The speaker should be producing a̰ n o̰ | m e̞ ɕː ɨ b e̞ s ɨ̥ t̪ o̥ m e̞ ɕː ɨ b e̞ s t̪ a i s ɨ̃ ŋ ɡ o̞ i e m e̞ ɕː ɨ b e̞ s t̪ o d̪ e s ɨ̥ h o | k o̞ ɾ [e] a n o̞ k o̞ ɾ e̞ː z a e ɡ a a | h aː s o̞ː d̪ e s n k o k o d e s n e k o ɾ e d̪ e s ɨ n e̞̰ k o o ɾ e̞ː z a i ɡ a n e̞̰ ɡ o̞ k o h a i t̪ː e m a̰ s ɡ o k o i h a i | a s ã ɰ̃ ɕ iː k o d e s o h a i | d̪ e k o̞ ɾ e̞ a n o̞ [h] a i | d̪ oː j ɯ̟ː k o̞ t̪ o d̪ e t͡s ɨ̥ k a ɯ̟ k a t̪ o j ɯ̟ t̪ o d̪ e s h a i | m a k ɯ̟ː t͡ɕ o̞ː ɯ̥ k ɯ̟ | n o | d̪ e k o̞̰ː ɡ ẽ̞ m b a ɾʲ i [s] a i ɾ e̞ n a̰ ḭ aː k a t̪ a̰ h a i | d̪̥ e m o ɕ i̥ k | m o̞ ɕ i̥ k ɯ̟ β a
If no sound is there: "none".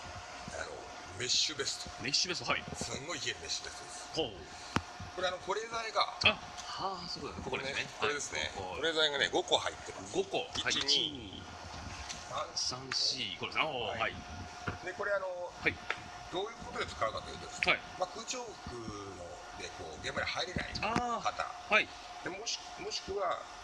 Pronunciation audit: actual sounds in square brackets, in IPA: e, h, h

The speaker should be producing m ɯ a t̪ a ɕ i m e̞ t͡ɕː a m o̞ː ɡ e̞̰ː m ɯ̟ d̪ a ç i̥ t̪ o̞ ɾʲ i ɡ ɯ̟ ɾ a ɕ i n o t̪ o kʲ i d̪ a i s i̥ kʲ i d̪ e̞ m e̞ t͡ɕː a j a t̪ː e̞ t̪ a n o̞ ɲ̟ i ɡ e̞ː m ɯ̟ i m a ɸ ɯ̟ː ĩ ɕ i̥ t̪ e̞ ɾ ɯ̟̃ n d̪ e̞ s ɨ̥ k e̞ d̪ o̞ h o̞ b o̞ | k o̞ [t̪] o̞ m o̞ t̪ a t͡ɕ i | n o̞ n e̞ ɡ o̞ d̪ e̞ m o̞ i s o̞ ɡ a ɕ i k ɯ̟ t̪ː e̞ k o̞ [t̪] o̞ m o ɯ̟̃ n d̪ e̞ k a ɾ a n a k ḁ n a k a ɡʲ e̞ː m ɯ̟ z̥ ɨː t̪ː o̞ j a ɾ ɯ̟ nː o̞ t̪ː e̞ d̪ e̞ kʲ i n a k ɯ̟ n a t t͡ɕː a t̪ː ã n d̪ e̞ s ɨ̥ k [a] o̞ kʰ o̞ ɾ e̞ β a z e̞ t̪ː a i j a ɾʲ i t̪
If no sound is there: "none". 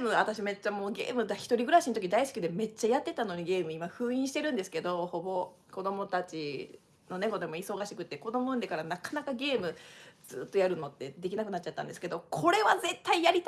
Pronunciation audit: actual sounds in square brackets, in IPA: d̪, d̪, e

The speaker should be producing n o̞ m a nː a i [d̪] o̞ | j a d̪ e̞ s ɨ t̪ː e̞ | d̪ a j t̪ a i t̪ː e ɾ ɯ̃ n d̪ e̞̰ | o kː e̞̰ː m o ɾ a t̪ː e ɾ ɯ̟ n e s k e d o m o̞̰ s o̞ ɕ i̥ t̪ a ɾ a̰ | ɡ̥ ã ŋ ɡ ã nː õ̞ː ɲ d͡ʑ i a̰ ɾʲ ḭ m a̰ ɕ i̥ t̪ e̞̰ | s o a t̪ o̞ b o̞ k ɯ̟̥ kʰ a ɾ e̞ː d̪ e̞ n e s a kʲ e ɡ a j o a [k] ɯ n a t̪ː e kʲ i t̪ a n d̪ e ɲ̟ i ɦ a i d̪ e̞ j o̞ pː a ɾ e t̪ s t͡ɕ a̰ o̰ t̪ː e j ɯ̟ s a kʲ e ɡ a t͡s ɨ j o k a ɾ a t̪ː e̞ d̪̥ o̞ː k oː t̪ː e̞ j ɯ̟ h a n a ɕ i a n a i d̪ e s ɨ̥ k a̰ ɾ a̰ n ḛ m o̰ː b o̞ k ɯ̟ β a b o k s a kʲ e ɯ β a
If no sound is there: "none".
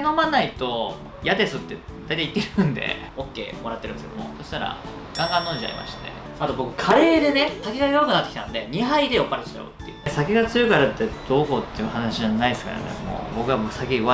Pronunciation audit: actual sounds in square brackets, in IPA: t̪, k

